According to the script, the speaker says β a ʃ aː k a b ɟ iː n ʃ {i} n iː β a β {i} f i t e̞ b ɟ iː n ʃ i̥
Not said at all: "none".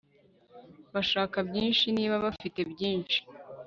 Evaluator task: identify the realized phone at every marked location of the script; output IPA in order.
i, a

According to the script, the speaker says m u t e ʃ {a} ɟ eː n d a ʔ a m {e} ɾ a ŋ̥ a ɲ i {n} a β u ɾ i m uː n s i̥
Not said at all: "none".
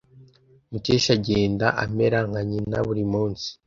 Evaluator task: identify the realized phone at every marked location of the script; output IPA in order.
a, e, n

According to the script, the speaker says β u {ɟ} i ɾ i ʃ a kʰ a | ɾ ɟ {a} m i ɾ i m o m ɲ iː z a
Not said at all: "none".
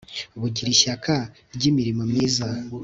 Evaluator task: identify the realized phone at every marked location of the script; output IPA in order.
ɟ, i

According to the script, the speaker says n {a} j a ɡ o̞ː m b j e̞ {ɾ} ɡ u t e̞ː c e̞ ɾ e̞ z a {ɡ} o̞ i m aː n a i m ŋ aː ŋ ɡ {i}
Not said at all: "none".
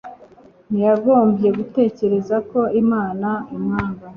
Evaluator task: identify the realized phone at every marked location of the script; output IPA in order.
i, none, k, a

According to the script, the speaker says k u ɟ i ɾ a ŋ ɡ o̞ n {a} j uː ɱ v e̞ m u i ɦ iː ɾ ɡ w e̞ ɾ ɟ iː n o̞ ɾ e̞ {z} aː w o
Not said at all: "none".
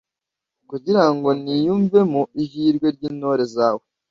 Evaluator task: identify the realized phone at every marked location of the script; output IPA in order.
i, z

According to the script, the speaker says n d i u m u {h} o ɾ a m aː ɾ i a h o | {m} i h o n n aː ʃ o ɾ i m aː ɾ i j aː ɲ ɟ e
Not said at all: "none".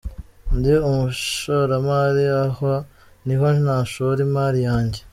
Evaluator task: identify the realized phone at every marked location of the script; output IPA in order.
ʃ, n

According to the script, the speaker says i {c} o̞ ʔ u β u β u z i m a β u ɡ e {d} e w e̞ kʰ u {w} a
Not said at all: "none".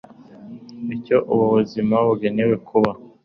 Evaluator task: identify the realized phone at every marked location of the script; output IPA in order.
c, n, β

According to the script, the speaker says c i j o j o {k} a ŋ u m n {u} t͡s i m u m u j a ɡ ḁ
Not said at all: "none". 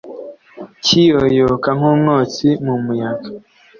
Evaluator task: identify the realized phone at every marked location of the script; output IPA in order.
k, o

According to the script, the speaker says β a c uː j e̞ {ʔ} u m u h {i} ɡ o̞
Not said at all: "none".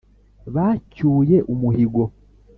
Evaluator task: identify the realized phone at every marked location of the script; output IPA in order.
ʔ, i

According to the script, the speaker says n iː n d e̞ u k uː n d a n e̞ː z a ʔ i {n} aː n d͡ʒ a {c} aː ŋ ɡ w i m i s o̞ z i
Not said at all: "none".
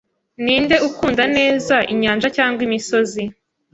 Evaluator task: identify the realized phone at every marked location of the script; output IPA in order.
ɲ, c

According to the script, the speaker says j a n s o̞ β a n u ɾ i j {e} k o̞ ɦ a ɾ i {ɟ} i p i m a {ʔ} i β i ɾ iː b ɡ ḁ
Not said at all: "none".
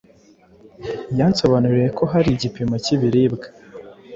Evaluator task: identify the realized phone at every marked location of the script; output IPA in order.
e, ɟ, c

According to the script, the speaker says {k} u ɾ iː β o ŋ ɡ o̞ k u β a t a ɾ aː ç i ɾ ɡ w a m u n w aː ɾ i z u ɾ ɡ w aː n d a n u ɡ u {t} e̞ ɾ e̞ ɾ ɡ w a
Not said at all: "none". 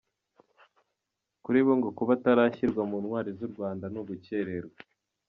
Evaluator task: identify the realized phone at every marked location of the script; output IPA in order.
k, c

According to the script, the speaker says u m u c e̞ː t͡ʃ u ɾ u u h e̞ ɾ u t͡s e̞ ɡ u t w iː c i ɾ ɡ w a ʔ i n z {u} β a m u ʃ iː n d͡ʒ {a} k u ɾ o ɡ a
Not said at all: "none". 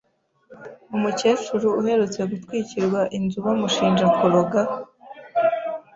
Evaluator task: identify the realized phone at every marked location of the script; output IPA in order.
u, a

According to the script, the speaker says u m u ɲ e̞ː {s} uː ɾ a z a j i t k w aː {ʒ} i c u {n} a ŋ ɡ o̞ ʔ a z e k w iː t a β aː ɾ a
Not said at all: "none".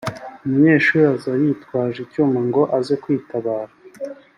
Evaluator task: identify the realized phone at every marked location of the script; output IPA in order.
ʃ, ʒ, m

